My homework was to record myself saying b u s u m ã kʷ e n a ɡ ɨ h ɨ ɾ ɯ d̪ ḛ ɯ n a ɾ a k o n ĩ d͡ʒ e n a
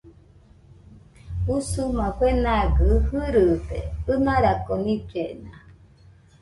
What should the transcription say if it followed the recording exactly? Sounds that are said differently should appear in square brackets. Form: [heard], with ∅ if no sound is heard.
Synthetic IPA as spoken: b u s u m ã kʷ e n a ɡ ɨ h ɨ ɾ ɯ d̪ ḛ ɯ n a ɾ a k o n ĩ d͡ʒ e n a